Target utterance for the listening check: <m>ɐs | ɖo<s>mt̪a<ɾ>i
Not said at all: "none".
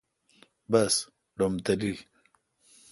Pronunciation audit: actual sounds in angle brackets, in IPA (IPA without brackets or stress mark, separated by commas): b, none, l